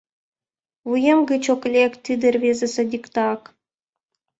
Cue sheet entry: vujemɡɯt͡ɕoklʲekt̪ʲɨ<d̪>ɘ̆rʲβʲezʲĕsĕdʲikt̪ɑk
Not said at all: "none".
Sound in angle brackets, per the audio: d̪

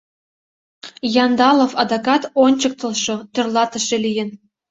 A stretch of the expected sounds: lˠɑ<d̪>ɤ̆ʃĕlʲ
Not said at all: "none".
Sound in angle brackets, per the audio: t̪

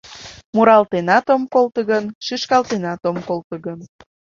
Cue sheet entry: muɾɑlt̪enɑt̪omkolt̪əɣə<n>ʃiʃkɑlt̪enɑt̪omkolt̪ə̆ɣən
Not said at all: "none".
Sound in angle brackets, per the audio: n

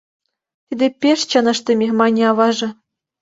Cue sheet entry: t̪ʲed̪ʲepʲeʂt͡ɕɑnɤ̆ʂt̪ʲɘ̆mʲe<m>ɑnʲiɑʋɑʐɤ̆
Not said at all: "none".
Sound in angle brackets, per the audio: m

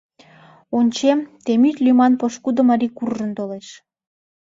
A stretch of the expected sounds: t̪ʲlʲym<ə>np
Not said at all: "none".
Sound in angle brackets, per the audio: ɑ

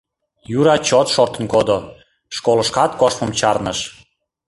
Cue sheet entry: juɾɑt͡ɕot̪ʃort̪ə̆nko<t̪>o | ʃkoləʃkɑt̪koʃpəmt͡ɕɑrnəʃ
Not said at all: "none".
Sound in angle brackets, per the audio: d̪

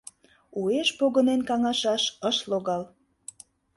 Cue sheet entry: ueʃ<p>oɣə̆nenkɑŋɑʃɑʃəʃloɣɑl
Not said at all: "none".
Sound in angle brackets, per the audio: p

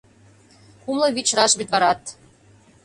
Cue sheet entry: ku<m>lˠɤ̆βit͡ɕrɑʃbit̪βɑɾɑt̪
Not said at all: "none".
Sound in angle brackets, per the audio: m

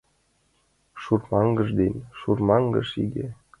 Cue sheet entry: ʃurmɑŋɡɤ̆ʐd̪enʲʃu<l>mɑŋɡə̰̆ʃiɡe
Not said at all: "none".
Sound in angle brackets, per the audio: r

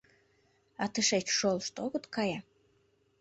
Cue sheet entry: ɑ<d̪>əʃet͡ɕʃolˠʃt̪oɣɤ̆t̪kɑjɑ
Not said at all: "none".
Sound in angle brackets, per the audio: t̪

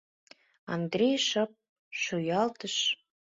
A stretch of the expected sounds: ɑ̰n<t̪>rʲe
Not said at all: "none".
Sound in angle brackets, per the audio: d̪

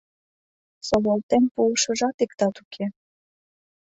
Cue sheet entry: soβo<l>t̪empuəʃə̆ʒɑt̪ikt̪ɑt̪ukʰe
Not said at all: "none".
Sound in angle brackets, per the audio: l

